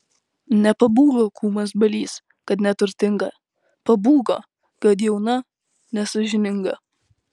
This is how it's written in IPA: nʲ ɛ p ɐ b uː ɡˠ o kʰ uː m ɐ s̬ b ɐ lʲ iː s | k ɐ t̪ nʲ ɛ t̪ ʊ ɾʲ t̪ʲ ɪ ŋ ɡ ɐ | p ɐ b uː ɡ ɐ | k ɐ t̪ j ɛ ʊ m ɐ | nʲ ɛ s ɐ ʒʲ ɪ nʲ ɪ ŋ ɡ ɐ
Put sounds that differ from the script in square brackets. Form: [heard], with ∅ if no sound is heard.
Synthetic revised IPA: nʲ ɛ p ɐ b uː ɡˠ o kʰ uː m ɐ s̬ b ɐ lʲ iː s | k ɐ t̪ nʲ ɛ t̪ ʊ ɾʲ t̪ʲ ɪ ŋ ɡ ɐ | p ɐ b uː ɡ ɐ | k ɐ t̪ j ɛ ʊ [n] ɐ | nʲ ɛ s ɐ ʒʲ ɪ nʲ ɪ ŋ ɡ ɐ